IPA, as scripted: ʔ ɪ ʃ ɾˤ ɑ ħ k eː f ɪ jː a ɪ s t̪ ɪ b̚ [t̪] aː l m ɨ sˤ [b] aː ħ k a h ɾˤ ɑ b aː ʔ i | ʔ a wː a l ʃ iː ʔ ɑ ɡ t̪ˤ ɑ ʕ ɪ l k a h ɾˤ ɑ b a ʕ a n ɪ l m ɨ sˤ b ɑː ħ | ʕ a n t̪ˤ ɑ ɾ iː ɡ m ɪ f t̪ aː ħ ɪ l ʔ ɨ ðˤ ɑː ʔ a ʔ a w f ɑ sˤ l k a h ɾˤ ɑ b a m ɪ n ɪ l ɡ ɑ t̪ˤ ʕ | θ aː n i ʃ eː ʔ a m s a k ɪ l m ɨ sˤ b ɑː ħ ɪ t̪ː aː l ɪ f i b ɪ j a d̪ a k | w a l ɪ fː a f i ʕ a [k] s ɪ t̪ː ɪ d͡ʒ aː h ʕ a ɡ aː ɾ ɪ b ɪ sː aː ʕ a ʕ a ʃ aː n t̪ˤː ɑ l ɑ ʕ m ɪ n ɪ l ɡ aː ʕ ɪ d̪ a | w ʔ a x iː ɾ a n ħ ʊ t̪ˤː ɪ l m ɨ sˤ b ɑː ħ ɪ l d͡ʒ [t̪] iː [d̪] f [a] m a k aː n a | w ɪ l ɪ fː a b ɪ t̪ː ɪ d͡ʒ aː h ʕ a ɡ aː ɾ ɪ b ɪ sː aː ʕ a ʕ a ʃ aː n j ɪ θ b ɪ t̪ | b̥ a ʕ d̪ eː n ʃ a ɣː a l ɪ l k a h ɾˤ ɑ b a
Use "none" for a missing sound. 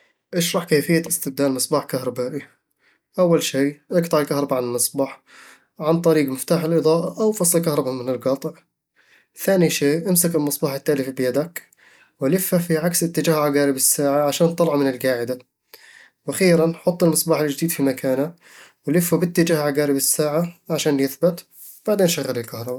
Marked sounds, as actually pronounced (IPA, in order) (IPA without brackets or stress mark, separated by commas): d̪, b, k, d̪, d̪, i